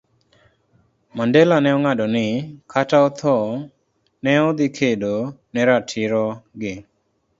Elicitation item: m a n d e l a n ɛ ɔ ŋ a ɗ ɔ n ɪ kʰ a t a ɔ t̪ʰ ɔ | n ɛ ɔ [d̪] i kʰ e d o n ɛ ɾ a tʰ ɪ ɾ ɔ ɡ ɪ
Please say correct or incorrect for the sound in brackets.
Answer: correct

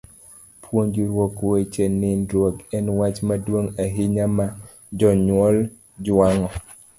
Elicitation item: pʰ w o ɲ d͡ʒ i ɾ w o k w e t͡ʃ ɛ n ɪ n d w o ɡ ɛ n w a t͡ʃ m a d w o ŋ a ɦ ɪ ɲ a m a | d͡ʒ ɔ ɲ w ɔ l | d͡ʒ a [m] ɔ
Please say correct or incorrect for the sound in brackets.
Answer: incorrect: ŋ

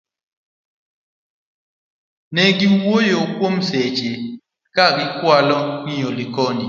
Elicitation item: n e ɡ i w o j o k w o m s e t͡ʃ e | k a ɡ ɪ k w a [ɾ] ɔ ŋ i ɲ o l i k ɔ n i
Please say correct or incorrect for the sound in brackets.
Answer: incorrect: l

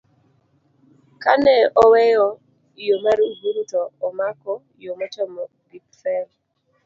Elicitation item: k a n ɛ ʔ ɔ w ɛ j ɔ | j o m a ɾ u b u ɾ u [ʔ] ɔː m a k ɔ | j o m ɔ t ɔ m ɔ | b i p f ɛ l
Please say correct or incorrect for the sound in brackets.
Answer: incorrect: t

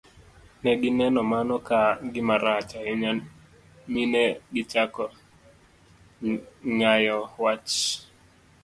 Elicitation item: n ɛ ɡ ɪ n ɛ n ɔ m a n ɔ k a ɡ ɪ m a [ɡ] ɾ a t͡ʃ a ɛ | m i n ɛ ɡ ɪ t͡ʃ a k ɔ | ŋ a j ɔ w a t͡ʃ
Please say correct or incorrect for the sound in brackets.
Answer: incorrect: none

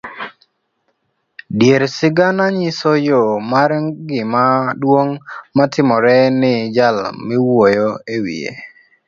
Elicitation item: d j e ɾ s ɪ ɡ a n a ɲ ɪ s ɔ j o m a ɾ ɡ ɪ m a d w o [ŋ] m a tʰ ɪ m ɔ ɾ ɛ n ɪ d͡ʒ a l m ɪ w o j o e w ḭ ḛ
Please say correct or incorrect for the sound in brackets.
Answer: correct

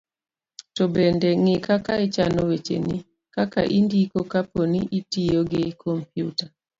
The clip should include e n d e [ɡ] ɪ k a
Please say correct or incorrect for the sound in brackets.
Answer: incorrect: ŋ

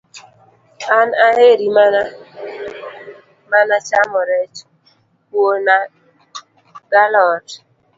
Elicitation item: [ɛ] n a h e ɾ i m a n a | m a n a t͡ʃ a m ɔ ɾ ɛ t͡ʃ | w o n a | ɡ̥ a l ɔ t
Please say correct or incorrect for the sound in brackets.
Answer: incorrect: a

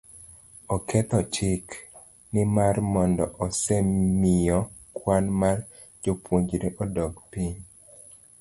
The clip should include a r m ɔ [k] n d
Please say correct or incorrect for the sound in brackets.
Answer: incorrect: none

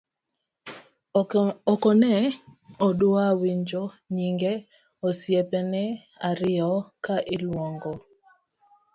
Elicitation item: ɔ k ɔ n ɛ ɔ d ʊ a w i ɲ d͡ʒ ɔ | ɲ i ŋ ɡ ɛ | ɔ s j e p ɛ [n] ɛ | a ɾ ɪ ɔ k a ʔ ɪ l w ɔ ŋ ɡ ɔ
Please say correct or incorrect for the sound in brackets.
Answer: correct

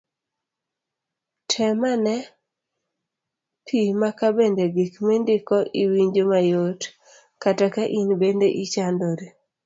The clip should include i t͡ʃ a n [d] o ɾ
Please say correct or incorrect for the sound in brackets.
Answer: correct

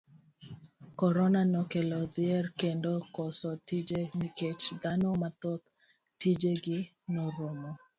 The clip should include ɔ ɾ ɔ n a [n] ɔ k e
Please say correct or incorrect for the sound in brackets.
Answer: correct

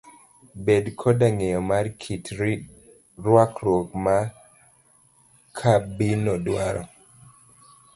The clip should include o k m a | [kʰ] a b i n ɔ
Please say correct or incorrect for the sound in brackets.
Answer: correct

